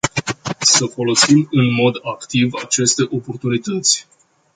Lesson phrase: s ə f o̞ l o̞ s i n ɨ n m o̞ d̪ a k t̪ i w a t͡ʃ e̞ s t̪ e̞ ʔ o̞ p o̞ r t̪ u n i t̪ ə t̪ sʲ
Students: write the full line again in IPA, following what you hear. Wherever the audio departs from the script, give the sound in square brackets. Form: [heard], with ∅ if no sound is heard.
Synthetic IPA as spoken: s ə f o̞ l o̞ s i [m] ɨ n m o̞ d̪ a k t̪ i [v] a t͡ʃ e̞ s t̪ e̞ ʔ o̞ p o̞ r t̪ u n i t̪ ə t̪ sʲ

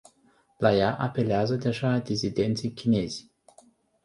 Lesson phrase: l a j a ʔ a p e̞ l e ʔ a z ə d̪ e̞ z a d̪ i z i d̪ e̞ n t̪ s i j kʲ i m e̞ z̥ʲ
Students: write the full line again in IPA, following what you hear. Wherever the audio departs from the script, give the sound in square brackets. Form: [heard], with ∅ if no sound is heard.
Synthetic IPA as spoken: l a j a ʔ a p e̞ l e [∅] a z ə d̪ e̞ [ʒ] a d̪ i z i d̪ e̞ n t̪ s i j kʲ i [n] e̞ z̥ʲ

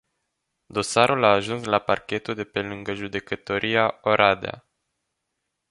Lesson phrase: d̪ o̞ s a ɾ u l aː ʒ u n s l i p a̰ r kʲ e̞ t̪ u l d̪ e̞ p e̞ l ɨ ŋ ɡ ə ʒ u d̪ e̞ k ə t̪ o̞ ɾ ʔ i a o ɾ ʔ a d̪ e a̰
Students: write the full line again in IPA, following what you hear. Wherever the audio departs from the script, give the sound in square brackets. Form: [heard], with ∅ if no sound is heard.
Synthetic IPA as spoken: d̪ o̞ s a ɾ u l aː ʒ u n s l [a] p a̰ r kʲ e̞ t̪ u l d̪ e̞ p e̞ l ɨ ŋ ɡ ə ʒ u d̪ e̞ k ə t̪ o̞ ɾ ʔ i a o ɾ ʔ a d̪ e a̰

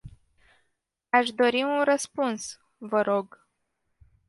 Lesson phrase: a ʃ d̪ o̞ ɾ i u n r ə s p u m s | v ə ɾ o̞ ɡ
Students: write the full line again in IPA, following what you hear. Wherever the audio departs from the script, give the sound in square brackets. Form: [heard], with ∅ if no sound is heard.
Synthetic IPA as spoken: a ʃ d̪ o̞ ɾ i u n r ə s p u [n] s | v ə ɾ o̞ ɡ

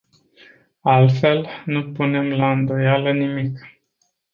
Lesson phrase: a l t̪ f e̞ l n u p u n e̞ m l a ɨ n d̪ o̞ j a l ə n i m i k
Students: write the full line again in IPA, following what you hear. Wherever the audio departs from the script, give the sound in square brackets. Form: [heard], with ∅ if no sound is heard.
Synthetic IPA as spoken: a l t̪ f e̞ l n u p u n e̞ m l a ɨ n d̪ o̞ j a l ə n i m i k

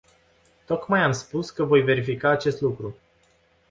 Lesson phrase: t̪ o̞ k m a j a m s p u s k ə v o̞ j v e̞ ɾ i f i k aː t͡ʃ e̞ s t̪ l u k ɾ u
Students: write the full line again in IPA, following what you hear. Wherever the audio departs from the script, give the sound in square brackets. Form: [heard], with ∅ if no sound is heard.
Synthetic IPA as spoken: t̪ o̞ k m a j a m s p u s k ə v o̞ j v e̞ ɾ i f i k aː t͡ʃ e̞ s t̪ l u k ɾ u

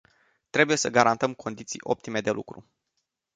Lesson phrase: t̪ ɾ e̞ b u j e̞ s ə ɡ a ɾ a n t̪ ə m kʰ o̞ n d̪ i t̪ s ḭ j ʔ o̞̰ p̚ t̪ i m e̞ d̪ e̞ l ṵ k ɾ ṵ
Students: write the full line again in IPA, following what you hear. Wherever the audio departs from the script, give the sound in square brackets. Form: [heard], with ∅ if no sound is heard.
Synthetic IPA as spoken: t̪ ɾ e̞ b u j e̞ s ə ɡ a ɾ a n t̪ ə m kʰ o̞ n d̪ i t̪ s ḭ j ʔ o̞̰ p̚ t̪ i m e̞ d̪ e̞ l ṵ k ɾ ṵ

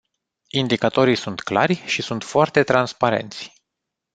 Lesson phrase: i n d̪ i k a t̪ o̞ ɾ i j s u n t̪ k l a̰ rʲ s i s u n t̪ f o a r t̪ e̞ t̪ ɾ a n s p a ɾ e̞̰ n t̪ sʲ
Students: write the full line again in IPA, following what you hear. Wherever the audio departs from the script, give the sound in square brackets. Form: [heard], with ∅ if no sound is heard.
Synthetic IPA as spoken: i n d̪ i k a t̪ o̞ ɾ i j s u n t̪ k l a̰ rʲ [ʃ] i s u n t̪ f o a r t̪ e̞ t̪ ɾ a n s p a ɾ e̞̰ n t̪ sʲ

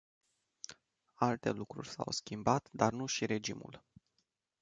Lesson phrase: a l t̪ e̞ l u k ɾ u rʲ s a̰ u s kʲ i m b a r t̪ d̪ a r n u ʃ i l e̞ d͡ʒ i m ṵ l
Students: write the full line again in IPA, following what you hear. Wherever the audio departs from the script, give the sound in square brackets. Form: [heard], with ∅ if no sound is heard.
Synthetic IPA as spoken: a l t̪ e̞ l u k ɾ u rʲ s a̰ [w] s kʲ i m b a [∅] t̪ d̪ a r n u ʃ i [ɾ] e̞ d͡ʒ i m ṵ l

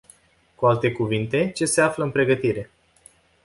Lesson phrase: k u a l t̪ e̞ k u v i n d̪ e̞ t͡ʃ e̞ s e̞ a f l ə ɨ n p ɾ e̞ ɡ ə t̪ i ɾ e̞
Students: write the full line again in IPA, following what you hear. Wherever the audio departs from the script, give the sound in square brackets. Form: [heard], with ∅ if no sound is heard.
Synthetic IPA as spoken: k u a l t̪ e̞ k u v i n [t̪] e̞ t͡ʃ e̞ s e̞ a f l ə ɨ n p ɾ e̞ ɡ ə t̪ i ɾ e̞

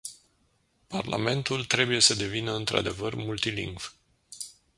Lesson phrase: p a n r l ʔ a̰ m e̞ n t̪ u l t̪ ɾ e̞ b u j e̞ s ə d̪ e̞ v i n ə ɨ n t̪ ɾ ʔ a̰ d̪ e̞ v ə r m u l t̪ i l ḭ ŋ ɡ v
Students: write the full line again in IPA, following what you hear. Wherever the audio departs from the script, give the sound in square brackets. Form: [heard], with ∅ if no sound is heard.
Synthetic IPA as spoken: p a [∅] r l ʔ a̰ m e̞ n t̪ u l t̪ ɾ e̞ b u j e̞ s ə d̪ e̞ v i n ə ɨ n t̪ ɾ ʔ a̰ d̪ e̞ v ə r m u l t̪ i l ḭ ŋ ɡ v

